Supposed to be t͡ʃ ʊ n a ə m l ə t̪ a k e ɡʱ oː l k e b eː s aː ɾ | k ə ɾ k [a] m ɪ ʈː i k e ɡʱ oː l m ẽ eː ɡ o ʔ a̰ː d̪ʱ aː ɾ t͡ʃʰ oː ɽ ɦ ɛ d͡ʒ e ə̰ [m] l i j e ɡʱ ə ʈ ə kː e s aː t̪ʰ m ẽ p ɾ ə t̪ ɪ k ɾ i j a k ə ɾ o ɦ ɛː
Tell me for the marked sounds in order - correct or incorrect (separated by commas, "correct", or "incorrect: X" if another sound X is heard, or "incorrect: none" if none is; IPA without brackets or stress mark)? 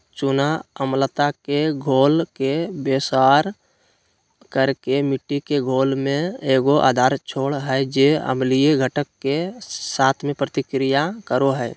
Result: incorrect: e, correct